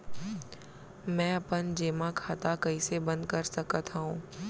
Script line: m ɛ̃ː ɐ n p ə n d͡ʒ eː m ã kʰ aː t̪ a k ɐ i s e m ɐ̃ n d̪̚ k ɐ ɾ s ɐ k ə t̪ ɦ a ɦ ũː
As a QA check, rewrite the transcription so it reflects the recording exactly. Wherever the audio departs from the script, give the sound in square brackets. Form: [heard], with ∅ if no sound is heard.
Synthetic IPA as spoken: m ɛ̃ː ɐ [∅] p ə n d͡ʒ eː m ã kʰ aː t̪ a k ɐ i s e [b] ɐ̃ n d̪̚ k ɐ ɾ s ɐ k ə t̪ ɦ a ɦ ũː